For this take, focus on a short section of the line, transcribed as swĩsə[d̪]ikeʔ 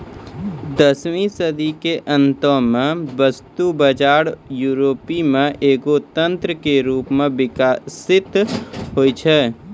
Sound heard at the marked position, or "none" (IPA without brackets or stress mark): d̪